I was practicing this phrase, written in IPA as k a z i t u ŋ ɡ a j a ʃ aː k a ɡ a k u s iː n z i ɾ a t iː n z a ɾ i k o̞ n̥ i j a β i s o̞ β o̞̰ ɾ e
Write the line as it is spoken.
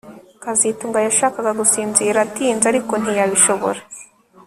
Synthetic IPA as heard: k a z i t u ŋ ɡ a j a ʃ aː k a ɡ a ɡ u s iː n z i ɾ a t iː n z a ɾ i k o̞ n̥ i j a β i ʃ o̞ β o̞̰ ɾ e